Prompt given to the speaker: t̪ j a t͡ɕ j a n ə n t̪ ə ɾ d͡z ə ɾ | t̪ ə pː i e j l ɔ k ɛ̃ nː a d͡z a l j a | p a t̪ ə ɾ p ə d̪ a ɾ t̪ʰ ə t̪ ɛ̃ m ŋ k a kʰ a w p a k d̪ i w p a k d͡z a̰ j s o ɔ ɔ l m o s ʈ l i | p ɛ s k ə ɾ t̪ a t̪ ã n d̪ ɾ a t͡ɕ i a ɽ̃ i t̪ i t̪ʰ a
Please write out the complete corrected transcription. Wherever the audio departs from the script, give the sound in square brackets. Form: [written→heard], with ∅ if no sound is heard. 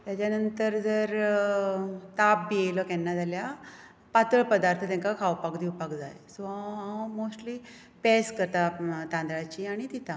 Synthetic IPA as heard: t̪ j a t͡ɕ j a n ə n t̪ ə ɾ d͡z ə ɾ | t̪ [ə→a] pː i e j l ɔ k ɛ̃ nː a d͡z a l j a | p a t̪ ə [ɾ→ɭ] p ə d̪ a ɾ t̪ʰ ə t̪ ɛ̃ [m→∅] ŋ k a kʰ a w p a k d̪ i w p a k d͡z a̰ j s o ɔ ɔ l m o s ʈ l i | p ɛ s k ə ɾ t̪ a t̪ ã n d̪ ɾ a t͡ɕ i a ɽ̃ i t̪ i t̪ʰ a